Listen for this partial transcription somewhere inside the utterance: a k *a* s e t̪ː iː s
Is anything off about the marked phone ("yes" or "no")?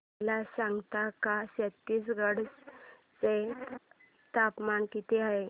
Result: no